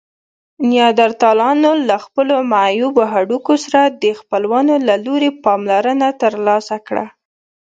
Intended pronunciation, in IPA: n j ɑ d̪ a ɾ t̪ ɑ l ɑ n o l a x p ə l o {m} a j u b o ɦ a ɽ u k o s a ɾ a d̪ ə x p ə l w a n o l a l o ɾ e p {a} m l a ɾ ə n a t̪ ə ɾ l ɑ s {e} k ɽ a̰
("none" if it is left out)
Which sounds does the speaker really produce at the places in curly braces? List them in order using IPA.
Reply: m, ɑ, a

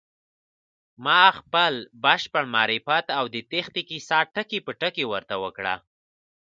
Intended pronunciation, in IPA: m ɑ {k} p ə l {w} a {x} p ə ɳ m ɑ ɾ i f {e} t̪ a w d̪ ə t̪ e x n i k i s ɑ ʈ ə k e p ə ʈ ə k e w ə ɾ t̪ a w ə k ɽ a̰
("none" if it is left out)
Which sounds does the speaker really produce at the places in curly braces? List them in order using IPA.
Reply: x, b, ʃ, a

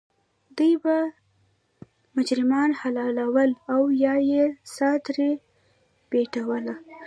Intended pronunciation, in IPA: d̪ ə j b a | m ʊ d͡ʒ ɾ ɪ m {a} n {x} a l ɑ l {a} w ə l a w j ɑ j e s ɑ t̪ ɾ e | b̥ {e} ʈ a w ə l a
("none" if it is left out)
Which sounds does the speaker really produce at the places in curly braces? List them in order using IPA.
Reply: ɑ, h, a, e

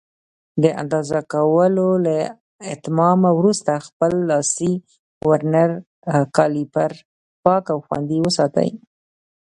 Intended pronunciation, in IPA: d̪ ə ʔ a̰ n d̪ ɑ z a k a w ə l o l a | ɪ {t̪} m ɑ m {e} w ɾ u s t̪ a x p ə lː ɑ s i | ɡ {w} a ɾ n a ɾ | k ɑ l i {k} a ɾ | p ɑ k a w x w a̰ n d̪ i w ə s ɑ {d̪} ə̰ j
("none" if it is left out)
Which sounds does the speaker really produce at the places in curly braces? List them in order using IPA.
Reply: t̪, a, w, p, t̪

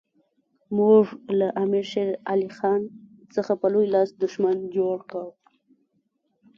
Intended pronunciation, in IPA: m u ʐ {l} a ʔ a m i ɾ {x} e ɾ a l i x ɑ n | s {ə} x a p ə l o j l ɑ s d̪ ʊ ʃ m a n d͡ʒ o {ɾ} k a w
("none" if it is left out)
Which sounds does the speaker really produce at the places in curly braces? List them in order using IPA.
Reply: l, ʃ, ə, ɽ

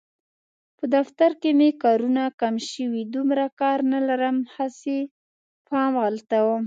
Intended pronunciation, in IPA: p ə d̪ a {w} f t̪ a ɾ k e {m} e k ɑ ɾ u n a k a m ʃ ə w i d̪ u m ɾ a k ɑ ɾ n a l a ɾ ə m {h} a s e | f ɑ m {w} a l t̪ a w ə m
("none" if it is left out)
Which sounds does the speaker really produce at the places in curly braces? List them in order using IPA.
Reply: none, m, h, ɣ

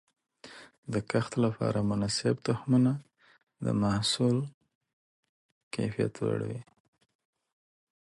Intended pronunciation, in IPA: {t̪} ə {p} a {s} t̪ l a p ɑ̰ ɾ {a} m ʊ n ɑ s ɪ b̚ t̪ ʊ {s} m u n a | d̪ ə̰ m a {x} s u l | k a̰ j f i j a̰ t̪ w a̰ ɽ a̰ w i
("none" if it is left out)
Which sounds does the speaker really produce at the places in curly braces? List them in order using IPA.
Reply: d̪, k, x, a, h, h

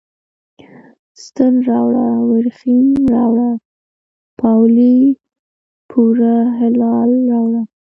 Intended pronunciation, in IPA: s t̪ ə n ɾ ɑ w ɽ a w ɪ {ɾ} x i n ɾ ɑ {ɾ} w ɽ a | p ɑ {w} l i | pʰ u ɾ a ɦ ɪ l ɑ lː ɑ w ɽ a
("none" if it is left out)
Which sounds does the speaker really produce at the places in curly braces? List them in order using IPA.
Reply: ɾ, none, w

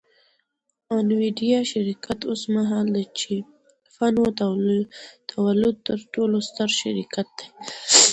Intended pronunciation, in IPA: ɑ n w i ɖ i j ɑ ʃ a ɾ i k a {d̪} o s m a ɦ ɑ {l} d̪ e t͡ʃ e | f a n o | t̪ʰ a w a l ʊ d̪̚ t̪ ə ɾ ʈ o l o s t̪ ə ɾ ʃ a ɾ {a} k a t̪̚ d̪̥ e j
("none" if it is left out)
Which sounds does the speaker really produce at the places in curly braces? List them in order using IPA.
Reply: t̪, l, i

